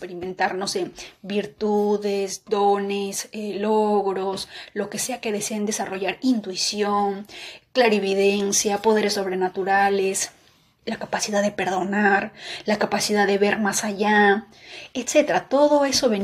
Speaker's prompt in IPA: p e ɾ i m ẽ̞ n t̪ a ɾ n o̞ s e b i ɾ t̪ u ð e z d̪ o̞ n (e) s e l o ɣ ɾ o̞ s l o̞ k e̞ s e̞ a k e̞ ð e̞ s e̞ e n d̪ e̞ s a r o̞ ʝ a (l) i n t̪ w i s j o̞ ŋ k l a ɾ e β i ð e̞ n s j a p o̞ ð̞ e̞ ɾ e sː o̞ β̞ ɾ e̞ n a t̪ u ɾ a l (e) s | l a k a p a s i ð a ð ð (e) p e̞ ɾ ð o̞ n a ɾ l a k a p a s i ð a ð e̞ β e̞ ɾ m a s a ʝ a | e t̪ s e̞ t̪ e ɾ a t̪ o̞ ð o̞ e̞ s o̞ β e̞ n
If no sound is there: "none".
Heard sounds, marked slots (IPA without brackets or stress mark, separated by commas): e, ɾ, e, e